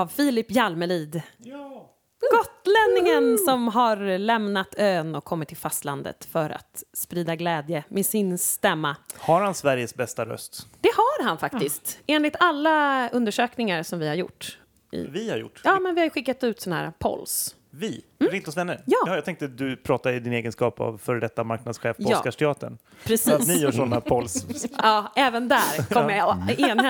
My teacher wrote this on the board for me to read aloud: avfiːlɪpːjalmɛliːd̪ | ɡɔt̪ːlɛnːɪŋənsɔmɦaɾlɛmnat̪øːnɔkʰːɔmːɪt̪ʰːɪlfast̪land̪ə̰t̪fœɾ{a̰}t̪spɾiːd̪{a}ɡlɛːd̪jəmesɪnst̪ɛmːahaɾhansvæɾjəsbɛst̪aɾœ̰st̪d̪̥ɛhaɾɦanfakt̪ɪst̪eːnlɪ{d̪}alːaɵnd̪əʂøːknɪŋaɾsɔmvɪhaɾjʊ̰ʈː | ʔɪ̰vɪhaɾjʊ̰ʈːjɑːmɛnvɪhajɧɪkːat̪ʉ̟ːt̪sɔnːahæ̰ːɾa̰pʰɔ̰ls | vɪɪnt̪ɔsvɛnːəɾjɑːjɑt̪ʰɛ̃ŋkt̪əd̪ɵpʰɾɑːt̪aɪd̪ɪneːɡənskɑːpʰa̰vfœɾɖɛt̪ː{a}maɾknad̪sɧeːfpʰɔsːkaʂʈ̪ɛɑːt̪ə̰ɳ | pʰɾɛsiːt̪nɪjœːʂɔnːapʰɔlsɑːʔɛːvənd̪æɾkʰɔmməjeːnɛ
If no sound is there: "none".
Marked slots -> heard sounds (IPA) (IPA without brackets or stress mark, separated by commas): a̰, a, t̪, a